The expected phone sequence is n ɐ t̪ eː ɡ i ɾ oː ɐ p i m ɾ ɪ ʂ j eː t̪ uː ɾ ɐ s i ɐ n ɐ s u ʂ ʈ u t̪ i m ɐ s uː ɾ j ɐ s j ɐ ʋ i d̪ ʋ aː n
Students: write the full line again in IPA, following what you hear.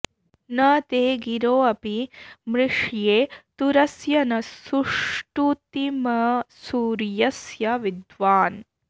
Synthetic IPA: n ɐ t̪ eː ɡ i ɾ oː ɐ p i m ɾ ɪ ʂ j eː t̪ u ɾ ɐ s j ɐ n ɐ s u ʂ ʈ u t̪ i m ɐ s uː ɾ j ɐ s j ɐ ʋ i d̪ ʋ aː n